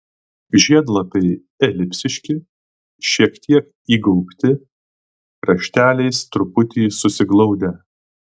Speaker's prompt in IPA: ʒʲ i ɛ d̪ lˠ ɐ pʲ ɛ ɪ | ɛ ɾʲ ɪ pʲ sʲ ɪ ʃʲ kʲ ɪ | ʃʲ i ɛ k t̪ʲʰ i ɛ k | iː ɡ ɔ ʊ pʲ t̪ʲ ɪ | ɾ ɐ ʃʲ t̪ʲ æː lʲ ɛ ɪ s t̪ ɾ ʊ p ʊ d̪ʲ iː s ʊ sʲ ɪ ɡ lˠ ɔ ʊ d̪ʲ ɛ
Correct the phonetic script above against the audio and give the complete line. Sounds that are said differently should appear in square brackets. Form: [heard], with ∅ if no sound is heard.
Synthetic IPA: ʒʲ i ɛ d̪ lˠ ɐ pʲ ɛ ɪ | ɛ [lʲ] ɪ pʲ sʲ ɪ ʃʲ kʲ ɪ | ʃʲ i ɛ k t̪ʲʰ i ɛ k | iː ɡ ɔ ʊ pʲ t̪ʲ ɪ | ɾ ɐ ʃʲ t̪ʲ æː lʲ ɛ ɪ s t̪ ɾ ʊ p ʊ [t̪ʲ] iː s ʊ sʲ ɪ ɡ lˠ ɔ ʊ d̪ʲ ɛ